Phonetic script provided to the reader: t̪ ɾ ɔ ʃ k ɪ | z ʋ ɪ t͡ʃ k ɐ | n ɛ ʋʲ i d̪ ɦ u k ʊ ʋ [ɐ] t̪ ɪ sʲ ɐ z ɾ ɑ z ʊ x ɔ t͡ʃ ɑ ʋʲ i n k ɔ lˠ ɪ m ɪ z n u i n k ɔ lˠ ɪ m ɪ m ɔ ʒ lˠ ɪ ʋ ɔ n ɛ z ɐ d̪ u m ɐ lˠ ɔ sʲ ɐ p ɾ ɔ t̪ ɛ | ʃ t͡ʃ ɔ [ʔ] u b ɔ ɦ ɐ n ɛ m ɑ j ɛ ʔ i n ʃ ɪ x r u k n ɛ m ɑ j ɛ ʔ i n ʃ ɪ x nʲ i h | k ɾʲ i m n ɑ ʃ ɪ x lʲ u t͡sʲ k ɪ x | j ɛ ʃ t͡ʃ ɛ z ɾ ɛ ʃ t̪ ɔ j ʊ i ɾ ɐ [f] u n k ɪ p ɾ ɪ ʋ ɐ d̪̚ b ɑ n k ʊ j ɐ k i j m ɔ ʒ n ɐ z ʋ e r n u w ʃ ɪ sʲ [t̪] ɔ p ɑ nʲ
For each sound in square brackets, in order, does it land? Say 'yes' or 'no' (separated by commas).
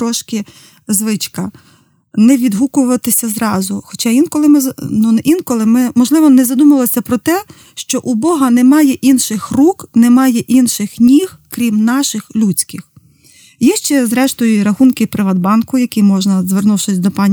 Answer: yes, yes, no, no